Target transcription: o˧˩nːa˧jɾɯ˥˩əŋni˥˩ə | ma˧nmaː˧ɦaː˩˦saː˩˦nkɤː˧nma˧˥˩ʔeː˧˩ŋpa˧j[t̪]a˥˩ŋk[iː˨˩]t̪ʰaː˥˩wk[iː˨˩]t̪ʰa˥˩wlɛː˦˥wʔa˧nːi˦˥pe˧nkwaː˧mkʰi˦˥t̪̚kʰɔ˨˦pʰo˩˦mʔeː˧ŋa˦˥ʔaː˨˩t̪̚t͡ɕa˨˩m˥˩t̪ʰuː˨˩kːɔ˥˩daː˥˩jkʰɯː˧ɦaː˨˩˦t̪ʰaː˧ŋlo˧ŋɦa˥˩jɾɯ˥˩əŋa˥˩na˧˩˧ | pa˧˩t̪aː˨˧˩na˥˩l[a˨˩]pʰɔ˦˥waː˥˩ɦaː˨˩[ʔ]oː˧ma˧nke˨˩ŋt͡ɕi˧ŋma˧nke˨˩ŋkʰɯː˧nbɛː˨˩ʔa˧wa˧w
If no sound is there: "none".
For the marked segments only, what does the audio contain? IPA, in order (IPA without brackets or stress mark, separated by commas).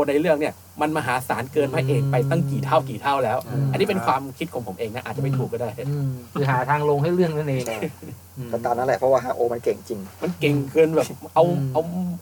t̪, iː˨˩, iː˨˩, ɛ˨˩, ʔ